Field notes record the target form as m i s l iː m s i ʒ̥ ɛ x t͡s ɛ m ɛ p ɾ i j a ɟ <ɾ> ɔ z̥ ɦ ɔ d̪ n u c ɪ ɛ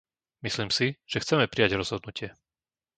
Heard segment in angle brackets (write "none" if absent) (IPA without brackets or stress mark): ɾ